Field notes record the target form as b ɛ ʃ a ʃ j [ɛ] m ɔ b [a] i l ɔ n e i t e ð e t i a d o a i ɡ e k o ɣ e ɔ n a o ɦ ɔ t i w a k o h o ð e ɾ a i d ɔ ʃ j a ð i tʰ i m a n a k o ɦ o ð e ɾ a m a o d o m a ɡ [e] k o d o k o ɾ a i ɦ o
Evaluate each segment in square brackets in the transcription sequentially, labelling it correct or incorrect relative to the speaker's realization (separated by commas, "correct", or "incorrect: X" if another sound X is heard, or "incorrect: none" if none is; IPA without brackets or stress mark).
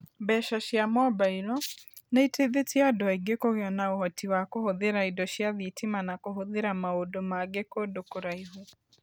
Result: incorrect: a, correct, correct